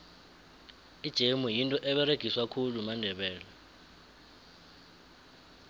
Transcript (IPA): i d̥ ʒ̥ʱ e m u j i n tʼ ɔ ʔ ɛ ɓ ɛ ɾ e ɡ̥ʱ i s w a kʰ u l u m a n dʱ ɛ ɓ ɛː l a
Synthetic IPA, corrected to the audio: i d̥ ʒ̥ʱ e m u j i n tʼ ɔ ʔ ɛ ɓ ɛ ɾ e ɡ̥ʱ i s w a kʰ u l u m a n dʱ ɛ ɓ ɛː l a